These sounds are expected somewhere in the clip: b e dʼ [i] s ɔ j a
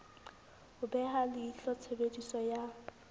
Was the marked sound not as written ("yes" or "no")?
no